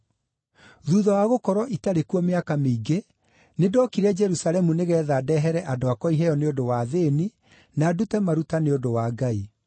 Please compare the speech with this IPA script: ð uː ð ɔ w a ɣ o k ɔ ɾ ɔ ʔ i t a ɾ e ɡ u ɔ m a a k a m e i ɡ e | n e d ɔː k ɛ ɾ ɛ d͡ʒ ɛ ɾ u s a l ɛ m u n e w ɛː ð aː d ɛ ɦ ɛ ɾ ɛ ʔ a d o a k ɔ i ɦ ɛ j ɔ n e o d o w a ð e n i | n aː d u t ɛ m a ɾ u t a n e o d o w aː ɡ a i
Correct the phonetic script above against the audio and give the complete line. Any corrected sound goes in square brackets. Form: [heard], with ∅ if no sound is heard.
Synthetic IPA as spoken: ð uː ð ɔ w a ɣ o k ɔ ɾ ɔ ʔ i t a ɾ e [k] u ɔ m [e] a k a m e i ɡ e | n e d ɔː k [i] ɾ ɛ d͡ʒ ɛ ɾ u s a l ɛ m u n e [ɣ] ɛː ð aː d ɛ ɦ ɛ ɾ ɛ ʔ a d o a k ɔ i ɦ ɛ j ɔ n e o d o w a ð e n i | n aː d u t ɛ m a ɾ u t a n e o d o w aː ɡ a i